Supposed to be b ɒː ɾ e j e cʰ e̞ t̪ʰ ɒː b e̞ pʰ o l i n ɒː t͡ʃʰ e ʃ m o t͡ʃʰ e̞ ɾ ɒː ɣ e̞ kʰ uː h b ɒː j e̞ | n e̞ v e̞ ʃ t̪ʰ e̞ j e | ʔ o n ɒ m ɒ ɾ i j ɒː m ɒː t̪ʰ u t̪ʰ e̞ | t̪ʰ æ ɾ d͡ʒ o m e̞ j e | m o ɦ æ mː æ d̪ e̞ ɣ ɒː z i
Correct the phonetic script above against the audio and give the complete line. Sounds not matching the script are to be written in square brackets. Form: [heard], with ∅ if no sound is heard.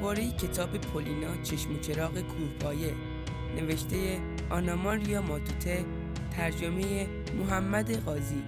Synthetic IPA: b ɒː ɾ e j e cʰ e̞ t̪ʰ ɒː b e̞ pʰ o l i n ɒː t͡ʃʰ e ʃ m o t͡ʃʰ e̞ ɾ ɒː ɣ e̞ kʰ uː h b ɒː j e̞ | n e̞ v e̞ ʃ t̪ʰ e̞ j e | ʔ [ɒ] n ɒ m ɒ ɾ i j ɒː m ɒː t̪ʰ u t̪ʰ e̞ | t̪ʰ æ ɾ d͡ʒ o m e̞ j e | m o ɦ æ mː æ d̪ e̞ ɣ ɒː z i